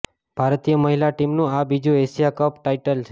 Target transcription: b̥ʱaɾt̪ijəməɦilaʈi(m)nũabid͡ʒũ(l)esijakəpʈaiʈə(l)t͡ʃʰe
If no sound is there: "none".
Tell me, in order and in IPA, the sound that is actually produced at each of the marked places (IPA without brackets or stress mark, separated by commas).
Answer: m, none, l